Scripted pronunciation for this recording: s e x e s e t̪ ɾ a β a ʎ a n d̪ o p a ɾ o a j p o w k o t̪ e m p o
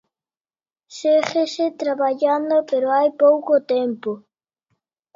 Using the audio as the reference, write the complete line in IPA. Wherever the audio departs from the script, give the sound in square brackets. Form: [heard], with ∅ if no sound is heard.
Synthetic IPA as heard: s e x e s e t̪ ɾ a β a ʎ a n d̪ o p [e] ɾ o a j p o w k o t̪ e m p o